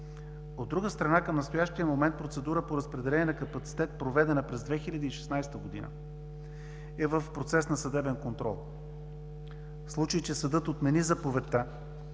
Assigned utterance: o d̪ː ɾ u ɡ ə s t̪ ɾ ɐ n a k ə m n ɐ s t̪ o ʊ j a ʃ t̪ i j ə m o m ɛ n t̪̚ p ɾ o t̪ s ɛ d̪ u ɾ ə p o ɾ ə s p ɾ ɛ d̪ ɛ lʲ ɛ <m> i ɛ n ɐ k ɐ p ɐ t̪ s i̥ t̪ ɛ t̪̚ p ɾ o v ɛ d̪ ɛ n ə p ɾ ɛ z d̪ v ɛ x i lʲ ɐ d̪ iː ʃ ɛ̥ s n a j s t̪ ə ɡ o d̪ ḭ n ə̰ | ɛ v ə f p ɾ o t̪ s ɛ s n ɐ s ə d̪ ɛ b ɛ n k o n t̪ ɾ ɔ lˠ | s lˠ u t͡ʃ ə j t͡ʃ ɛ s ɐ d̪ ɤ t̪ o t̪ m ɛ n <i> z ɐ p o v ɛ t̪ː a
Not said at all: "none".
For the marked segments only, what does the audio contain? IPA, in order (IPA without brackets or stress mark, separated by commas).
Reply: n, i